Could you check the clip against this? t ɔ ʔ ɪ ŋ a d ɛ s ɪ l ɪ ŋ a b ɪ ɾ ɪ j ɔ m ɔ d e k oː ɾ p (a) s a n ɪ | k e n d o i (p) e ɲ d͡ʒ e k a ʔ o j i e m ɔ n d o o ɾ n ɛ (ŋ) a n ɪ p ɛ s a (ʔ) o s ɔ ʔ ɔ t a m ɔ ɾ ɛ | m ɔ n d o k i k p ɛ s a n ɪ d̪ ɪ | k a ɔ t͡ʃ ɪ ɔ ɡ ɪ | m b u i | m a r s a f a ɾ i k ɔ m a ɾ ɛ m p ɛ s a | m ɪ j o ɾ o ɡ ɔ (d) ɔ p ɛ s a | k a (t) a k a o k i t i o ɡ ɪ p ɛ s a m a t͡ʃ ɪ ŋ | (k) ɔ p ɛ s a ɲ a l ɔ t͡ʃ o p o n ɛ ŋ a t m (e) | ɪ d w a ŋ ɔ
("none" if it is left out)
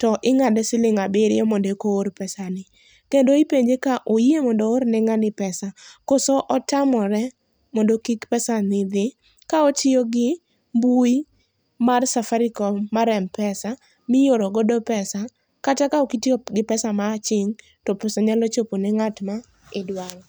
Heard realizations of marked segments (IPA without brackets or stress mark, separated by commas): ɛ, p, ŋ, k, d, t, t, a